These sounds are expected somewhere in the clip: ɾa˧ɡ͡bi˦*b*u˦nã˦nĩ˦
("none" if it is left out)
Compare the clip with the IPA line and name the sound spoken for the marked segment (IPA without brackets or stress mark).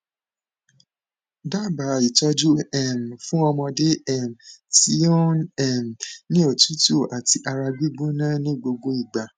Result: ɡ͡b